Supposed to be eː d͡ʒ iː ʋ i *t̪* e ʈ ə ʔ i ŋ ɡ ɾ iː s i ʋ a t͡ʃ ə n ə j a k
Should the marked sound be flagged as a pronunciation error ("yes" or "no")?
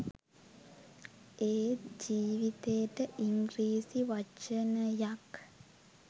no